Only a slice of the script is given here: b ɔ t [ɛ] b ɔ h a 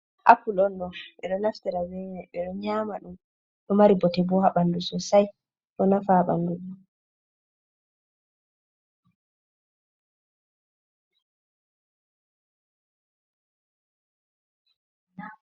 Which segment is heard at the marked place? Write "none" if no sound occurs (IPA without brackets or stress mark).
ɛ